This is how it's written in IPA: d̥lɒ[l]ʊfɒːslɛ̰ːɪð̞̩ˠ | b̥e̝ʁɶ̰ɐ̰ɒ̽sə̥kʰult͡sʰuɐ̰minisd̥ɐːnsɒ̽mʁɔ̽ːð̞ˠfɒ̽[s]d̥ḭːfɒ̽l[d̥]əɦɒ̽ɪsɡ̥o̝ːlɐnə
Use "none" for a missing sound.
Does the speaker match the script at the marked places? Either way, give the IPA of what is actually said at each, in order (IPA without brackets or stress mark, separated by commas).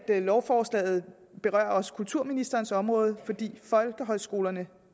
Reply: none, none, ɡ̥